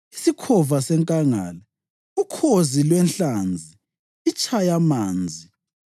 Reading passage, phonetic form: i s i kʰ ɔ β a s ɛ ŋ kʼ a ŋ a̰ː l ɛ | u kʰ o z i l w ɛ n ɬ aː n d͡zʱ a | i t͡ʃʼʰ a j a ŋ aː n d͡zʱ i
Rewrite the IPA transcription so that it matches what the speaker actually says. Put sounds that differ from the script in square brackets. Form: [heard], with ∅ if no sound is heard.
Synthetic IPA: i s i kʰ ɔ [v] a s ɛ ŋ kʼ a ŋ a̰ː l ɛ | u kʰ o z i l w ɛ n ɬ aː n d͡zʱ [i] | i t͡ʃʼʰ a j a [m] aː n d͡zʱ i